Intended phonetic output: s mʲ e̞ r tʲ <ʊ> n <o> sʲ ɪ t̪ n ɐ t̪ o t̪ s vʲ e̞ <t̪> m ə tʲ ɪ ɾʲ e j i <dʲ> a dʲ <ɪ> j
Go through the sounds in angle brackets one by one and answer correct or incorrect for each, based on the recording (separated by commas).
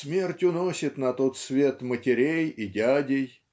correct, correct, correct, correct, correct